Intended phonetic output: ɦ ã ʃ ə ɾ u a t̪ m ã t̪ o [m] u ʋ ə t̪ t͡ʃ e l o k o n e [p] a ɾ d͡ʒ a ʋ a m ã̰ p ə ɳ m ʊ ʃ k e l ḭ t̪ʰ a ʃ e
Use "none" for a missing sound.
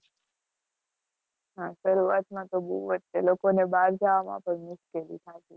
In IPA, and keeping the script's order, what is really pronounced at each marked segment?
b, b

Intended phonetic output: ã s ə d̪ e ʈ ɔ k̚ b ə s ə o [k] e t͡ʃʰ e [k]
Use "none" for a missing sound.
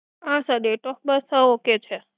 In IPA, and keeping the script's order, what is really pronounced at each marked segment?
k, none

